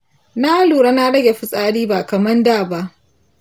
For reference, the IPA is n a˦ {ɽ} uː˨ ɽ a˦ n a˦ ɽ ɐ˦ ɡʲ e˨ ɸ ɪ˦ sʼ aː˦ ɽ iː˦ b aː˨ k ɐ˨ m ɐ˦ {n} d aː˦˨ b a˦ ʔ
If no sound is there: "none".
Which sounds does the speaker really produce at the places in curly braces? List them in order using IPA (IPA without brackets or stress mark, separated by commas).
l, n